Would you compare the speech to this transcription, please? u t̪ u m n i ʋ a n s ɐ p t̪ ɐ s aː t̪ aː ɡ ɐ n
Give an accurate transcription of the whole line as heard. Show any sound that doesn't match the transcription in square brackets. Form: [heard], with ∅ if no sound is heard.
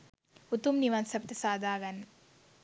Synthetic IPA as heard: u t̪ u m n i ʋ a n s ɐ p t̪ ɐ s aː [d̪] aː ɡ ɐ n